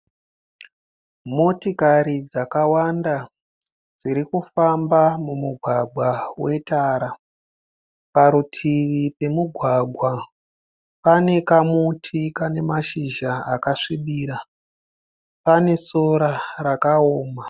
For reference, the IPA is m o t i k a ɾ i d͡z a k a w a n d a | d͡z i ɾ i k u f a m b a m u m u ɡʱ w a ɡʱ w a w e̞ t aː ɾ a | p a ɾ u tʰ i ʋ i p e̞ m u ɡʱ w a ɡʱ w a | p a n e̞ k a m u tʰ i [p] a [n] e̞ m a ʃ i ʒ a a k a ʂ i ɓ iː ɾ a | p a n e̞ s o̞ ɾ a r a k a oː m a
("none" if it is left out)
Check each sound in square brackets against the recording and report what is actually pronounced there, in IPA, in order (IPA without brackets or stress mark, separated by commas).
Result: k, n